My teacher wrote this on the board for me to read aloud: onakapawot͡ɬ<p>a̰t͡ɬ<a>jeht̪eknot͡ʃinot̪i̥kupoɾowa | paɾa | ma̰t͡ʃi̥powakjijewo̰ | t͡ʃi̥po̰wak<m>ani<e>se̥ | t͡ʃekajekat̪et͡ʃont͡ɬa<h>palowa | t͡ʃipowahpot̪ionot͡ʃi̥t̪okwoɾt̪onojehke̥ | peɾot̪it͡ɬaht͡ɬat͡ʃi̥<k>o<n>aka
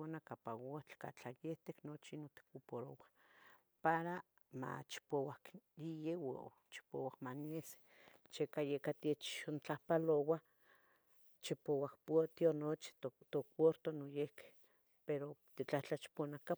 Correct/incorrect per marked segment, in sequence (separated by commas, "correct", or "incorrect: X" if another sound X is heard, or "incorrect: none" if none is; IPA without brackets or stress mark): incorrect: k, correct, correct, correct, correct, incorrect: p, correct